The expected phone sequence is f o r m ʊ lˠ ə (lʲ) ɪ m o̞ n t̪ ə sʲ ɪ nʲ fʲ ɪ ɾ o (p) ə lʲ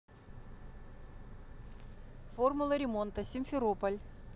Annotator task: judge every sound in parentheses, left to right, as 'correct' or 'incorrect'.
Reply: incorrect, correct

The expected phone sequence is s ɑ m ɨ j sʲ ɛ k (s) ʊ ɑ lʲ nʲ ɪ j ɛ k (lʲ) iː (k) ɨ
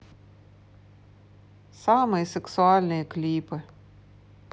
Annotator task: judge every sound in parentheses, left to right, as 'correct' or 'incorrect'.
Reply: correct, correct, incorrect

